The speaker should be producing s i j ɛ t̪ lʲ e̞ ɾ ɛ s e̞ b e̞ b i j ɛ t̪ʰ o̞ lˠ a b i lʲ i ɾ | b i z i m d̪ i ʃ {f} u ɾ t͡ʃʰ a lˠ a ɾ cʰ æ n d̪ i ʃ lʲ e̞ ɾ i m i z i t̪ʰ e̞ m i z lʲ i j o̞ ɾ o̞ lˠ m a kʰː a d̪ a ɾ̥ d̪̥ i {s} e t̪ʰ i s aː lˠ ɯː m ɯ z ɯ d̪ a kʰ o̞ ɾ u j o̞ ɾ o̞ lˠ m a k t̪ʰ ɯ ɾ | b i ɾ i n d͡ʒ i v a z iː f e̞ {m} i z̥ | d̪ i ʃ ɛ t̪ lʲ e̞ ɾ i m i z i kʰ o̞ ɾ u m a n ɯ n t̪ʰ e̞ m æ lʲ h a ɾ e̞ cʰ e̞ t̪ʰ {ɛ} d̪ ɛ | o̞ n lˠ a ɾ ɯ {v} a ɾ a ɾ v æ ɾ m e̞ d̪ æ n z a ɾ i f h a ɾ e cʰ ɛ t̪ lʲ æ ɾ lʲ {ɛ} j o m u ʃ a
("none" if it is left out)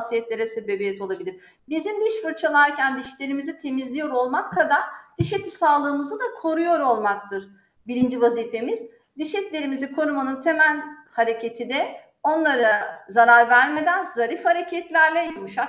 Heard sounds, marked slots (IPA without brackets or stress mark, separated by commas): f, ʃ, m, i, z, ɛ